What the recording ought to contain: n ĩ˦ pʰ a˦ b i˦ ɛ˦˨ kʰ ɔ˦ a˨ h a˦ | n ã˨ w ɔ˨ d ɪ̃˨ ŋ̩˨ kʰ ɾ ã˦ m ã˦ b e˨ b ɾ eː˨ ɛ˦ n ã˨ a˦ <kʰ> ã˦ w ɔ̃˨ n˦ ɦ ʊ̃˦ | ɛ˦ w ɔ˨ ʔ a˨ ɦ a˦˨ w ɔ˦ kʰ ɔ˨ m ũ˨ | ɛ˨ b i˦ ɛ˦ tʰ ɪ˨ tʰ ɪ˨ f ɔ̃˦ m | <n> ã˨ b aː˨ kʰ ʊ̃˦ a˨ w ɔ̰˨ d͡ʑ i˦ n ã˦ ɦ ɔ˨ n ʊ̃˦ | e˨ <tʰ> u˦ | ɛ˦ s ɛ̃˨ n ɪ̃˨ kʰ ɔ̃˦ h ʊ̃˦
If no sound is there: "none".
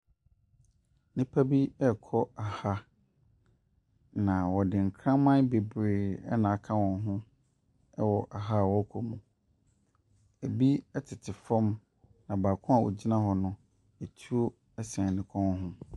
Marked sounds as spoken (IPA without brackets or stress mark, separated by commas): kʰ, n, tʰ